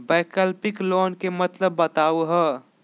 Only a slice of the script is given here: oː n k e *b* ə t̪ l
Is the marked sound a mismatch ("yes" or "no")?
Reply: yes